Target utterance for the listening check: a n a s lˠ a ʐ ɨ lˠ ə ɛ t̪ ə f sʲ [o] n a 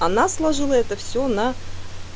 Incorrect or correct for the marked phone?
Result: correct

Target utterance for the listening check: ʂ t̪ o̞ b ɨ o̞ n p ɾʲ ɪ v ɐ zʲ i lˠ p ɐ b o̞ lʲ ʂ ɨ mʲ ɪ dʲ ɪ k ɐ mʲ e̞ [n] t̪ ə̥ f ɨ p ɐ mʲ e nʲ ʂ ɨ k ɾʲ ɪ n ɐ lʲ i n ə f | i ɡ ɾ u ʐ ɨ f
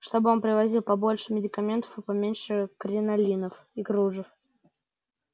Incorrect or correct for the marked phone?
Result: correct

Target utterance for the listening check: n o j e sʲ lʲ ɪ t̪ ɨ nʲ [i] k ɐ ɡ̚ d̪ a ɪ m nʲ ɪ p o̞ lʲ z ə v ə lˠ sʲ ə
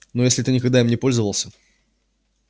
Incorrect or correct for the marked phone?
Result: incorrect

